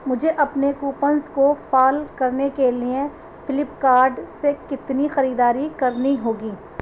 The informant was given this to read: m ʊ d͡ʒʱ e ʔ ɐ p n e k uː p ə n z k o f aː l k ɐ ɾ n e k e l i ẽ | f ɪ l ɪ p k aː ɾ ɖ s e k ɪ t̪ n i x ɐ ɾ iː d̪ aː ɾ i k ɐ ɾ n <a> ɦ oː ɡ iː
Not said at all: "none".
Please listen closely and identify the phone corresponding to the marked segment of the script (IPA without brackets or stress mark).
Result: i